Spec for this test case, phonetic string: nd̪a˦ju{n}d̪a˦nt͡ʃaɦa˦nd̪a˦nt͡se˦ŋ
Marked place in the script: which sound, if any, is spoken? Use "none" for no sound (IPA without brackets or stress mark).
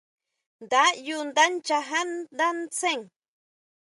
n